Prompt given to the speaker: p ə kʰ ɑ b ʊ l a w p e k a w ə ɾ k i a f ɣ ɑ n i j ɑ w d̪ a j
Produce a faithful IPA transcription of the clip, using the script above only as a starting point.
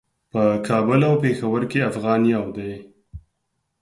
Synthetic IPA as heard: p ə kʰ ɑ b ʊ l a w p e x a w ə ɾ k e a f ɣ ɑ n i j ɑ w d̪ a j